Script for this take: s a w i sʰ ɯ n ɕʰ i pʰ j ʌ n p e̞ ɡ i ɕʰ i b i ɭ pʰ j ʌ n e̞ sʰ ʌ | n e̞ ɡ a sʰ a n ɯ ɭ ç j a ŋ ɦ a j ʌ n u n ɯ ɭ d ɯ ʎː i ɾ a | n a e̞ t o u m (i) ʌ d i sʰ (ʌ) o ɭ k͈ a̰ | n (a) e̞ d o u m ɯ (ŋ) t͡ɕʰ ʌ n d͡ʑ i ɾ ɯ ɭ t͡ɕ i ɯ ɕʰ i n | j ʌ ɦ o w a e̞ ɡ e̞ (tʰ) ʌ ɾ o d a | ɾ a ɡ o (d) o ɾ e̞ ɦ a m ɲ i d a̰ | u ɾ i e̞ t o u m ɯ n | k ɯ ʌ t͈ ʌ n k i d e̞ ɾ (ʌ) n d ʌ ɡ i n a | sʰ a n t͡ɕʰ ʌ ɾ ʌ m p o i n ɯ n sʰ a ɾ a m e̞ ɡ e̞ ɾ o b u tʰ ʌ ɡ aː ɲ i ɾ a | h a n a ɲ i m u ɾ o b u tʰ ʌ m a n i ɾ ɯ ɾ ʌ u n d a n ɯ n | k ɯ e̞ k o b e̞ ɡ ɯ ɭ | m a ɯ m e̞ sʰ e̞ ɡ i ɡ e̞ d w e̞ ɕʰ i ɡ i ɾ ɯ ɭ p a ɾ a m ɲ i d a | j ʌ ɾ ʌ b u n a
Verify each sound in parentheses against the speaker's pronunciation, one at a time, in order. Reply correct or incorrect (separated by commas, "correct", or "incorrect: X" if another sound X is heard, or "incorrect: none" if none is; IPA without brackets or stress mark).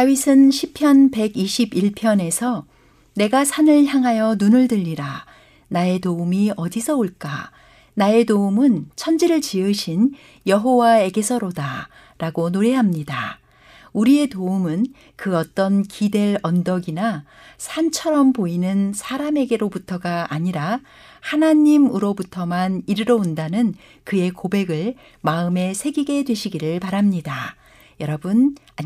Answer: correct, correct, correct, incorrect: n, incorrect: sʰ, incorrect: n, correct